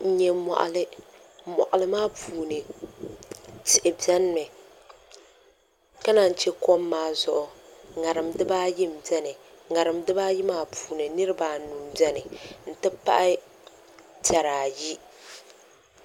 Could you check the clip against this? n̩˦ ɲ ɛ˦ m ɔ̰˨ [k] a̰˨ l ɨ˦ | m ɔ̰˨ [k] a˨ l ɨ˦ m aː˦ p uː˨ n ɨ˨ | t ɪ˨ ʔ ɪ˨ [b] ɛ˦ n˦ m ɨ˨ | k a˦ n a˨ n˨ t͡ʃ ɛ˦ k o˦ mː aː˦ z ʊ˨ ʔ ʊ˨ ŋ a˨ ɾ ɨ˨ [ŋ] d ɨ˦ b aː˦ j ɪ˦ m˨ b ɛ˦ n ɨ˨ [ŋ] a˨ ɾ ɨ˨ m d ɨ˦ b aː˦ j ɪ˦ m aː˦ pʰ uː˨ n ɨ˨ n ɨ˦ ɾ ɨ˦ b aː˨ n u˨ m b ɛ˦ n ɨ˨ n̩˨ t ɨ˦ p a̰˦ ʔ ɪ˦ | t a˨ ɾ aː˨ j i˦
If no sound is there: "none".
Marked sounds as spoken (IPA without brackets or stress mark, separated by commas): ʔ, ʔ, b, m, ŋ